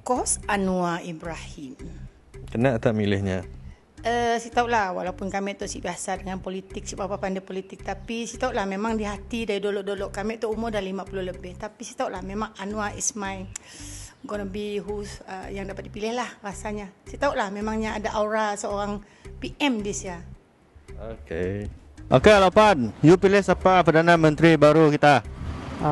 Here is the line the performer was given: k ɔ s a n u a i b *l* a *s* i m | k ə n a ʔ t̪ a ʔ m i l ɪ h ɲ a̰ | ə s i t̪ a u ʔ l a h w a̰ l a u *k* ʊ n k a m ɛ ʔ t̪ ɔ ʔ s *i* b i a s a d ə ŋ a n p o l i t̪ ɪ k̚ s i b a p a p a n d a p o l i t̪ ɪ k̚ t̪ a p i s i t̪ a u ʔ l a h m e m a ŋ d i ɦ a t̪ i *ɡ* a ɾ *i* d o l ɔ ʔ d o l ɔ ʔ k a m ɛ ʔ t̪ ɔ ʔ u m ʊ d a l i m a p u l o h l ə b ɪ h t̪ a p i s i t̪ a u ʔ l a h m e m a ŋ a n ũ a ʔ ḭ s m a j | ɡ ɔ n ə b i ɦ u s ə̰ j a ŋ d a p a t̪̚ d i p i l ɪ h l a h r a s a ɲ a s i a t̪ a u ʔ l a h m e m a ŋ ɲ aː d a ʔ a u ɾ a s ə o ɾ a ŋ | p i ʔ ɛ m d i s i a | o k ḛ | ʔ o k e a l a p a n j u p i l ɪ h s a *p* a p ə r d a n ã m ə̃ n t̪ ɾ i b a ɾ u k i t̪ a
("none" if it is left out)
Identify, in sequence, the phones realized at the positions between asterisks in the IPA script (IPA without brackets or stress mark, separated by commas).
ɾ, h, p, i, d, i, p